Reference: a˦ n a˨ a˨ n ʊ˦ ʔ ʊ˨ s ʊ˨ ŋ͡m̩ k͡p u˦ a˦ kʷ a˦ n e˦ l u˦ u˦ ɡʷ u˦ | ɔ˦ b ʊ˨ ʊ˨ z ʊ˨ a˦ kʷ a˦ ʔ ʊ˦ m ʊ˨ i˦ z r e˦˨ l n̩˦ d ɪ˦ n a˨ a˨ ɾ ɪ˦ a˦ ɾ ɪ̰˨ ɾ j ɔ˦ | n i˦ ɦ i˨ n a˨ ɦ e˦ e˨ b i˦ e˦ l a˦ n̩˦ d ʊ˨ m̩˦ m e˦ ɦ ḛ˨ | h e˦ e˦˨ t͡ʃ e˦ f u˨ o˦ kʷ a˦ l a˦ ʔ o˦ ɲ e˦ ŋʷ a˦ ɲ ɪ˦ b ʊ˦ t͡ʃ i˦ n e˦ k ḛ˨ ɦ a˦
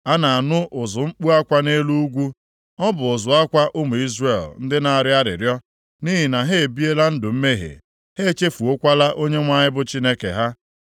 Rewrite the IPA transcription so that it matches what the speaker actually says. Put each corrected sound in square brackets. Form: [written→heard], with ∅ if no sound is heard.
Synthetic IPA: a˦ n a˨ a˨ n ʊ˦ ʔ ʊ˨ [s→z] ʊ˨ ŋ͡m̩ k͡p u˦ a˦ kʷ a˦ n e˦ l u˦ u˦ ɡʷ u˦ | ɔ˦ b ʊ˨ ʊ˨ z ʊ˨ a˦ kʷ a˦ ʔ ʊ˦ m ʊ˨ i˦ z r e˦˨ l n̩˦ d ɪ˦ n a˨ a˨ ɾ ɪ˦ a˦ ɾ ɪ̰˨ ɾ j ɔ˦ | n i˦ ɦ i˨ n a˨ ɦ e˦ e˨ b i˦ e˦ l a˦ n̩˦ d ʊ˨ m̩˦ m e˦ ɦ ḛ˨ | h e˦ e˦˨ t͡ʃ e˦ f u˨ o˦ kʷ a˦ l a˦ ʔ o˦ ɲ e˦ ŋʷ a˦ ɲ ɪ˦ b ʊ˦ t͡ʃ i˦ n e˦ k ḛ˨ ɦ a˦